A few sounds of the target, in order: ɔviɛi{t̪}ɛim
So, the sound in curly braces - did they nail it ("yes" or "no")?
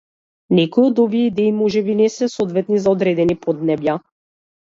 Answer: no